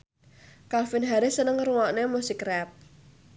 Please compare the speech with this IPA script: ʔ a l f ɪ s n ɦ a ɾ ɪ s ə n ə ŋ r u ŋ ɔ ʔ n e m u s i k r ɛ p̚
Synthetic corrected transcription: k a l f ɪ n ɦ a ɾ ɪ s ə n ə ŋ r u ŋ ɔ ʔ n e m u s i k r ɛ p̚